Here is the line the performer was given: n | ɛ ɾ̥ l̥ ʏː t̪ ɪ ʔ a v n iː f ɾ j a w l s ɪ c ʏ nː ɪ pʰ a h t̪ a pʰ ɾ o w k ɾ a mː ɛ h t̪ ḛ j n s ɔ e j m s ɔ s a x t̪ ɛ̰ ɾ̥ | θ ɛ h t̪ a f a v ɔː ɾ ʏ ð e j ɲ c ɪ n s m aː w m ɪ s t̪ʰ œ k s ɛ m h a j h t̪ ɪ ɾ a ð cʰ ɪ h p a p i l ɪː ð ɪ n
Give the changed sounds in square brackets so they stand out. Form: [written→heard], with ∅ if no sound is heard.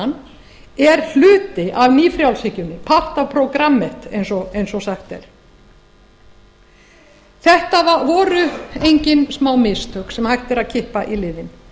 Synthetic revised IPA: n | ɛ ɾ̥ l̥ ʏː t̪ ɪ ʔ a v n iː f ɾ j a w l s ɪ c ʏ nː ɪ pʰ a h t̪ a pʰ ɾ o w k ɾ a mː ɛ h t̪ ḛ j n s ɔ e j [m→n] s ɔ s a x t̪ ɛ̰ ɾ̥ | θ ɛ h t̪ a [f→v] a v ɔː ɾ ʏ [ð→∅] e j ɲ c ɪ n s m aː w m ɪ s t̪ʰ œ k s ɛ m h a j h t̪ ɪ ɾ a ð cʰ ɪ h p a [p→ʔ] i l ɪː ð ɪ n